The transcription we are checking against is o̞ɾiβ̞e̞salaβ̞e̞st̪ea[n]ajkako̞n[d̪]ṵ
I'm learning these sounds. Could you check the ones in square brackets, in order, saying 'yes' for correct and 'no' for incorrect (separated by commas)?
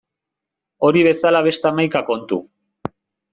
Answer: no, no